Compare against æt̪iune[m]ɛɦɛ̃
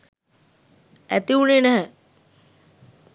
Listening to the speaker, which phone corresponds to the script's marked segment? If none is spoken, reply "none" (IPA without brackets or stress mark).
n